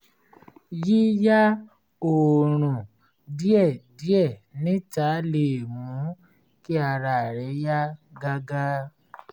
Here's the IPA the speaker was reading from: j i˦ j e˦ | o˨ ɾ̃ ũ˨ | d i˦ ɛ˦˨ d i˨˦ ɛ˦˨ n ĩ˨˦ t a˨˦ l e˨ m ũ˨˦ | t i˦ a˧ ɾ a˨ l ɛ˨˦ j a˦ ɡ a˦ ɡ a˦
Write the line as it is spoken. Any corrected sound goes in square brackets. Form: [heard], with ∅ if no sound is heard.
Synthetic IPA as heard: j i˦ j [a˦] | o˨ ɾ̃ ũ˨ | d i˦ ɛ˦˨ d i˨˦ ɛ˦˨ n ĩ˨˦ t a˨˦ l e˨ m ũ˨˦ | [k] i˦ a˧ ɾ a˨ [ɾ] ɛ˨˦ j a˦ ɡ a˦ ɡ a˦